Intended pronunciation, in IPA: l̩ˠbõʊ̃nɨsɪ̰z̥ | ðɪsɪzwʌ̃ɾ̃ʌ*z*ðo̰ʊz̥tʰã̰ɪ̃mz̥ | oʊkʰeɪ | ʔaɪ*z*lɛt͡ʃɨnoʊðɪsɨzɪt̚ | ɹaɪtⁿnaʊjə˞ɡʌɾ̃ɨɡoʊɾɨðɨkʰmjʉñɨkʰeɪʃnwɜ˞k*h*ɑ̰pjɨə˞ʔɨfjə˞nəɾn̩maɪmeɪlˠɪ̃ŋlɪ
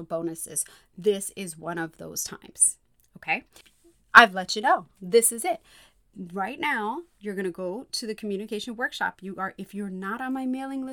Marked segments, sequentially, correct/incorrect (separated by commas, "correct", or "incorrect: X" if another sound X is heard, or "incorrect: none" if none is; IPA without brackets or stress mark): incorrect: v, incorrect: v, incorrect: ʃ